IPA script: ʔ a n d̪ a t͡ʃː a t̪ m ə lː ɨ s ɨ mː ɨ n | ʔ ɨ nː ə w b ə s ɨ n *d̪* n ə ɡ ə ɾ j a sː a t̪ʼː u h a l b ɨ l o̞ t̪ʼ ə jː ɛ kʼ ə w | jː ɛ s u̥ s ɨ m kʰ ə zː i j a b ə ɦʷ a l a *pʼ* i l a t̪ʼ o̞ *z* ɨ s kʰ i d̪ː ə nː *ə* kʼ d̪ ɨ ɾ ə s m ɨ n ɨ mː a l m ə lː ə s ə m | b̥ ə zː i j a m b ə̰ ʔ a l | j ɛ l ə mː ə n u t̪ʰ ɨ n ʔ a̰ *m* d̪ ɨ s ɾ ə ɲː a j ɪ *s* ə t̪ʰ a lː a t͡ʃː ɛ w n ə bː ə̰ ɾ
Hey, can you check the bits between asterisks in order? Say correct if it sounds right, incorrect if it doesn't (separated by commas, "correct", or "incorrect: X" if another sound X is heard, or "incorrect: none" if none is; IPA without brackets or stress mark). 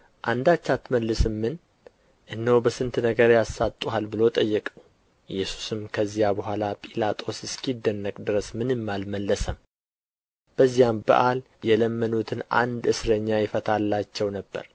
incorrect: t̪, correct, incorrect: s, correct, incorrect: n, incorrect: f